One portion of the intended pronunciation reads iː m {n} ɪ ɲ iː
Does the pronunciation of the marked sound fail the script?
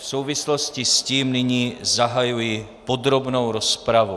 no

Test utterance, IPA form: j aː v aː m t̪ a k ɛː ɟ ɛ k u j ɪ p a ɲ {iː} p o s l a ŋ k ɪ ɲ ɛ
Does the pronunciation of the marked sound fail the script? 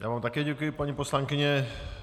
yes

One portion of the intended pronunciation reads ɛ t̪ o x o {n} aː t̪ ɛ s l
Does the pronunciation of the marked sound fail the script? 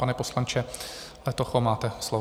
yes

